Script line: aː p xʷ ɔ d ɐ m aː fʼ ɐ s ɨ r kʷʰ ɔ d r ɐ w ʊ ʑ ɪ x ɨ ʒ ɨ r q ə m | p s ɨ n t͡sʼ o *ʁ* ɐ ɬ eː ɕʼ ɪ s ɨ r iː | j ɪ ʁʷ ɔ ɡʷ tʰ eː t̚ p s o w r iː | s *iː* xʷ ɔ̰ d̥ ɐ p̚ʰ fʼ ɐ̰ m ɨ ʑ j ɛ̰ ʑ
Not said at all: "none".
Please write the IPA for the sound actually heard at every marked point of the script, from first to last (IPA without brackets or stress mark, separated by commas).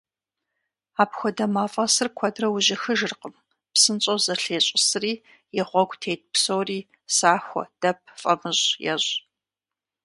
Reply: z, aː